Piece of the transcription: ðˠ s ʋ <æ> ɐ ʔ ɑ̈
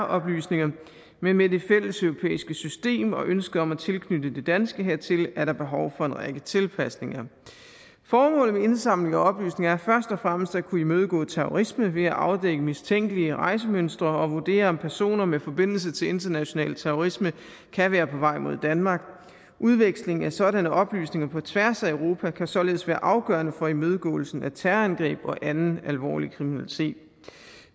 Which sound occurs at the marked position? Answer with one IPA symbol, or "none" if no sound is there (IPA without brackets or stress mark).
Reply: æː